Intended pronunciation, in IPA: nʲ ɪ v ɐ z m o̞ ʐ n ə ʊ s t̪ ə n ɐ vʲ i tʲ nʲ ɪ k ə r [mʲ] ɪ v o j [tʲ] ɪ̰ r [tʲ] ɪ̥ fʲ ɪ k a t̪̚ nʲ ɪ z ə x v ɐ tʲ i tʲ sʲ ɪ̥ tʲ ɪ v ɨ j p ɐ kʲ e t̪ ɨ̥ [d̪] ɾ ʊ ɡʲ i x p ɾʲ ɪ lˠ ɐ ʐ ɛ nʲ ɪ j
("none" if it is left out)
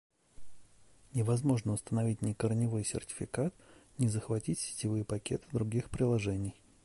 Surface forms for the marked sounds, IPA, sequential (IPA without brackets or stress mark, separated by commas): nʲ, sʲ, tʲ, d̪